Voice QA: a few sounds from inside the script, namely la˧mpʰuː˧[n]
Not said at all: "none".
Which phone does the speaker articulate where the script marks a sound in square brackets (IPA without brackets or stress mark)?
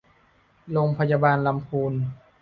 n